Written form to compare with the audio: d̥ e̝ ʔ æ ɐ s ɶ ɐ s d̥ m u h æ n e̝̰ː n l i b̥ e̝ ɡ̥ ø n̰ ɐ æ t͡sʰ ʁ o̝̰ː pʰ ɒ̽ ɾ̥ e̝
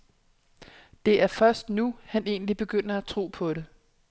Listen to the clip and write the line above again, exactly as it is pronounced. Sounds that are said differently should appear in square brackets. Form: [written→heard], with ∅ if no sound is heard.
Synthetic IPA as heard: d̥ e̝ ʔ æ ɐ [s→f] ɶ ɐ s d̥ [m→n] u h æ n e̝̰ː n l i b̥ e̝ ɡ̥ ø n̰ ɐ æ t͡sʰ ʁ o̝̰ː pʰ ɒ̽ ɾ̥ e̝